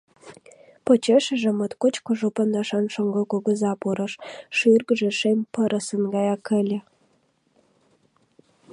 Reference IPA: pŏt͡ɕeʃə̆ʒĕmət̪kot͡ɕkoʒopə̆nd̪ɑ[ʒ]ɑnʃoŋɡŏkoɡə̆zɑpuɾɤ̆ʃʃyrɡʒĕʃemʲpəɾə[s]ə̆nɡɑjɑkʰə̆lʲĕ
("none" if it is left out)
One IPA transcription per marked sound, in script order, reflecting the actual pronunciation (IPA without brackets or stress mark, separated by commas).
ʃ, s